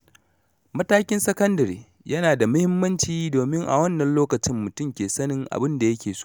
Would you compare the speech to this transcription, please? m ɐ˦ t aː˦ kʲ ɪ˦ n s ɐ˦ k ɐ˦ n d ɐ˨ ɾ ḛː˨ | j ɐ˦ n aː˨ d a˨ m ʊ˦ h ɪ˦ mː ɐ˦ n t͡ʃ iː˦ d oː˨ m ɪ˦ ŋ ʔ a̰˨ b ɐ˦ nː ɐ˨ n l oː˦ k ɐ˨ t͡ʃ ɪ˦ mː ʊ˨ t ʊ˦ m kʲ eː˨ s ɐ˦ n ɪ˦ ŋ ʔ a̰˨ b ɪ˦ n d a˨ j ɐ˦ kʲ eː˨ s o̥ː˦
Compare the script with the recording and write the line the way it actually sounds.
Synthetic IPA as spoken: m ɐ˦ t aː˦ kʲ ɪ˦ n s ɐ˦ k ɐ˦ n d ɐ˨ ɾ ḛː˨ | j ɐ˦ n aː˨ d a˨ m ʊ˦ h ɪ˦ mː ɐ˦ n t͡ʃ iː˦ d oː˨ m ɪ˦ ŋ ʔ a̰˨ w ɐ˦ nː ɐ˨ n l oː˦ k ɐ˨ t͡ʃ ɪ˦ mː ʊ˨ t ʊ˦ m kʲ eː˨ s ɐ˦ n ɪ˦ ŋ ʔ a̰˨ b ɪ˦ n d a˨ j ɐ˦ kʲ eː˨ s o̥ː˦